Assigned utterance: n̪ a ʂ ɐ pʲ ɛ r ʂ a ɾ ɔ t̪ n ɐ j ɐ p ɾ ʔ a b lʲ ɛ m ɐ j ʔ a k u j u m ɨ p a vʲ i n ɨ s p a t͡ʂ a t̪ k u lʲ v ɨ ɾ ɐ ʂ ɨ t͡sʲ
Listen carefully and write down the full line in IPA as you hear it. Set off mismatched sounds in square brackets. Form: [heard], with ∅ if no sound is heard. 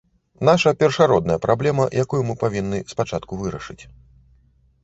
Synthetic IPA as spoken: n̪ a ʂ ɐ pʲ ɛ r ʂ a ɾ ɔ [d̪] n ɐ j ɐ p ɾ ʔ a b lʲ ɛ m ɐ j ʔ a k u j u m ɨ p a vʲ i [nː] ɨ s p a t͡ʂ a t̪ k u [∅] v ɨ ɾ ɐ ʂ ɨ t͡sʲ

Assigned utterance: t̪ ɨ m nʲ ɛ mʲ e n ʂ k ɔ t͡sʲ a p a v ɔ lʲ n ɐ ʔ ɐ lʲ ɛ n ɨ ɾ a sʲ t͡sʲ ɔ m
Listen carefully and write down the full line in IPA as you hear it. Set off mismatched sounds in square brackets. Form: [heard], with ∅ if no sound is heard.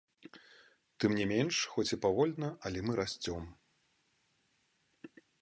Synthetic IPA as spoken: t̪ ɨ m nʲ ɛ mʲ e n ʂ [x] ɔ t͡sʲ [i] p a v ɔ lʲ n ɐ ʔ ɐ lʲ ɛ [m] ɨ ɾ a sʲ t͡sʲ ɔ m

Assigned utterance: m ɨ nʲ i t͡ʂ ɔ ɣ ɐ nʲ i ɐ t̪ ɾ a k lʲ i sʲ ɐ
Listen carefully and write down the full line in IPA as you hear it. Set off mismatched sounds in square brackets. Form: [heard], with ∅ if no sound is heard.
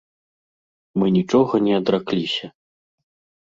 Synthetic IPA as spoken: m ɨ nʲ i t͡ʂ ɔ ɣ ɐ nʲ [ɛ] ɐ [d̪] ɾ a k lʲ i sʲ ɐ

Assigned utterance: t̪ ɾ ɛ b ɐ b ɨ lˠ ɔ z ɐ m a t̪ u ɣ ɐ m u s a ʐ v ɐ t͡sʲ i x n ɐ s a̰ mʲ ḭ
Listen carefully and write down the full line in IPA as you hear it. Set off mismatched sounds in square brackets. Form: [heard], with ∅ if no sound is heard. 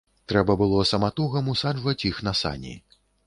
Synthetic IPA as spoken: t̪ ɾ ɛ b ɐ b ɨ lˠ ɔ [s] ɐ m a t̪ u ɣ ɐ m u s a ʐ v ɐ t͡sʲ i x n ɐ s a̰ [nʲ] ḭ

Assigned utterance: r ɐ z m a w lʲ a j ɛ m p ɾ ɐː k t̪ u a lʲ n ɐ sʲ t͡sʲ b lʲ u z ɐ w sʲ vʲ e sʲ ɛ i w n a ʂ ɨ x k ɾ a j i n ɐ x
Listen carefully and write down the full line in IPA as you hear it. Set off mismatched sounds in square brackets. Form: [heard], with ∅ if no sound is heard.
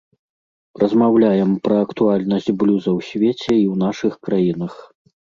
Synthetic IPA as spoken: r ɐ z m a w lʲ a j ɛ m p ɾ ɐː k t̪ u a lʲ n ɐ sʲ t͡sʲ b lʲ u z ɐ w sʲ vʲ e [t͡sʲ] ɛ i w n a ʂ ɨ x k ɾ a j i n ɐ x

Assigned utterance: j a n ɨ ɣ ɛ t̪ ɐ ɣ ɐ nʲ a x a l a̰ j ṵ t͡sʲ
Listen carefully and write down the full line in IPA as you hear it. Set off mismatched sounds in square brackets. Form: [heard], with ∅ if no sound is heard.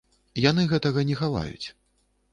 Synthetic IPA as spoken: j a n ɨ ɣ ɛ t̪ ɐ ɣ ɐ nʲ [ɛ] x a l a̰ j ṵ t͡sʲ

